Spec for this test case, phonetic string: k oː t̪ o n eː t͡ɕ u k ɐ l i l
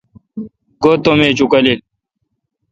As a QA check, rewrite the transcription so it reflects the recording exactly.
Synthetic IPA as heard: ɡ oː t̪ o m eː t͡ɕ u k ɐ l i l

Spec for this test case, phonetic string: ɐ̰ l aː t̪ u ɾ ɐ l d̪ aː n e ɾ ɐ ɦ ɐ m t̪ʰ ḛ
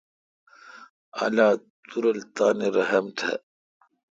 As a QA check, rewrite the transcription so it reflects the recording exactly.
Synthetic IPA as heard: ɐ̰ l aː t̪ u ɾ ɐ l t̪ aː n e ɾ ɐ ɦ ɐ m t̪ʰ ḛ

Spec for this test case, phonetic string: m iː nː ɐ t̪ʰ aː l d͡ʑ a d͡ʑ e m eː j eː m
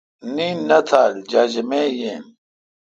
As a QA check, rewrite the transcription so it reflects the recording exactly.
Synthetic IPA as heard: n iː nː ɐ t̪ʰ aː l d͡ʑ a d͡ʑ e m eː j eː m

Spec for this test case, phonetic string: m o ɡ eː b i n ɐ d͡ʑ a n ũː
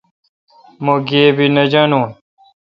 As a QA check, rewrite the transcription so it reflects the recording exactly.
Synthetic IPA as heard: m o ɡ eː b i n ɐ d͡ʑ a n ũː

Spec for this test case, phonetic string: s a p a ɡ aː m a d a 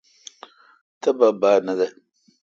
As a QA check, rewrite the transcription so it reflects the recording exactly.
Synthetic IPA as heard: t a b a b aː n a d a

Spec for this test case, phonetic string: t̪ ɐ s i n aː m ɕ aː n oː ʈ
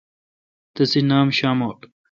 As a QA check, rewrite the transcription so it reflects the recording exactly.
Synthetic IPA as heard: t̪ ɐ s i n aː m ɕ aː m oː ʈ

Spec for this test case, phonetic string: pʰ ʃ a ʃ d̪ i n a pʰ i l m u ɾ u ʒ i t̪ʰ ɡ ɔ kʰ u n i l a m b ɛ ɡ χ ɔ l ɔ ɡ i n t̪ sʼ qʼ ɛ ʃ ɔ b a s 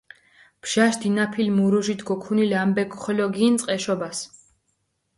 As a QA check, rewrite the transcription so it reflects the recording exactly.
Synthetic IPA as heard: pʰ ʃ a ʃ d̪ i n a pʰ i l m u ɾ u ʒ i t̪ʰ ɡ ɔ kʰ u n i l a m b ɛ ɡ χ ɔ l ɔ ɡ i n t̪ sʼ qʼ ɛ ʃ ɔ b a s

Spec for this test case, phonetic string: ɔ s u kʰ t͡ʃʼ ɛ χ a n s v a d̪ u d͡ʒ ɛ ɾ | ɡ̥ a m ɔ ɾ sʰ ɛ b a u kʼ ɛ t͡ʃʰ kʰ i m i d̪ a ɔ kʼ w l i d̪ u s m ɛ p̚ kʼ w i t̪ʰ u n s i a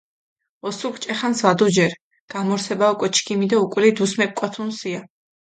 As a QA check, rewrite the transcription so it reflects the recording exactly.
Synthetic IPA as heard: ɔ s u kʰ t͡ʃʼ ɛ χ a n s v a d̪ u d͡ʒ ɛ ɾ | ɡ̥ a m ɔ ɾ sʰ ɛ b a u kʼ ɛ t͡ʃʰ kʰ i m i d̪ a u kʼ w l i d̪ u s m ɛ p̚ kʼ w a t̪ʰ u n s i a

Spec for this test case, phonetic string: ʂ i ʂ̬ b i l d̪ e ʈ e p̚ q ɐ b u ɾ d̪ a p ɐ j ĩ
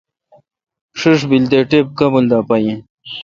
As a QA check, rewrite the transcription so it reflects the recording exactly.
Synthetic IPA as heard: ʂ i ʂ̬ b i l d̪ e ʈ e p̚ k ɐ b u l d̪ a p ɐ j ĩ

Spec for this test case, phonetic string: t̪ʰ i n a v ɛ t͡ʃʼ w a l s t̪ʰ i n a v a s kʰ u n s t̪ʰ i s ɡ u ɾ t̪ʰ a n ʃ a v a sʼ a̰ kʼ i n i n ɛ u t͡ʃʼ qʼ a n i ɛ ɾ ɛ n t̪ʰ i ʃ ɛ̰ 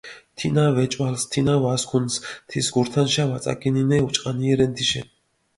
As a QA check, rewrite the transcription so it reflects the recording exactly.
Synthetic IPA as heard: t̪ʰ i n a v ɛ t͡ʃʼ w a l s t̪ʰ i n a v a s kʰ u n s t̪ʰ i s ɡ u ɾ t̪ʰ a n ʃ a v a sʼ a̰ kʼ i n i n ɛ u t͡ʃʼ qʼ a n i ɛ ɾ ɛ n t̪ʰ i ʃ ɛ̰

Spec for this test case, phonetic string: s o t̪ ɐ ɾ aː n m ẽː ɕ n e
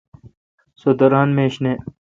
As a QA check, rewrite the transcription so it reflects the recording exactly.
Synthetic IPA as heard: s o d̪ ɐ ɾ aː n m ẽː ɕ n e

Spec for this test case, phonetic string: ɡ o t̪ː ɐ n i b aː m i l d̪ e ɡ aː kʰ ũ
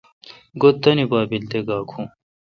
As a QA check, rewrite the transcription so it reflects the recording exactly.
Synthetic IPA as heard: ɡ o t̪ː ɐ n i b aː b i l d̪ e ɡ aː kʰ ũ

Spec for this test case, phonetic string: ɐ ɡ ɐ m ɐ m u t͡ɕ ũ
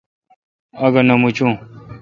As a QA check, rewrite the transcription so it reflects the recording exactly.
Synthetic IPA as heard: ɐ ɡ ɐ n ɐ m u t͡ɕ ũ

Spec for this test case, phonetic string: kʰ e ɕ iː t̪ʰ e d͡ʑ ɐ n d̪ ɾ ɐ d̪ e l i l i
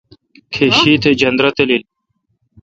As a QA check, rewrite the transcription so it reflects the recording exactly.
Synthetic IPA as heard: kʰ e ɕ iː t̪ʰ e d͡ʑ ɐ n d̪ ɾ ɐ t̪ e l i l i

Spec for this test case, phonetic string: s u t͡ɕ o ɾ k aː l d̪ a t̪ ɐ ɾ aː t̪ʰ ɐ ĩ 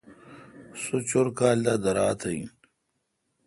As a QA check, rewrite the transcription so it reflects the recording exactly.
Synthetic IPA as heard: s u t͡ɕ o ɾ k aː l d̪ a d̪ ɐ ɾ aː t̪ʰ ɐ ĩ

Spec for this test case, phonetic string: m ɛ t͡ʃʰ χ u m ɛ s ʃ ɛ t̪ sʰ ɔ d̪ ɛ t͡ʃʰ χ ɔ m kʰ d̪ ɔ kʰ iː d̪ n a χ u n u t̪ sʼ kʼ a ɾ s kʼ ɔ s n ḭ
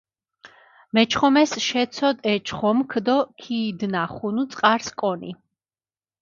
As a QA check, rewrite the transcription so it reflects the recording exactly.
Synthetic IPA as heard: m ɛ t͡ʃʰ χ ɔ m ɛ s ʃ ɛ t̪ sʰ ɔ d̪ ɛ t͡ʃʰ χ ɔ m kʰ d̪ ɔ kʰ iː d̪ n a χ u n u t̪ sʼ qʼ a ɾ s kʼ ɔ n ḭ

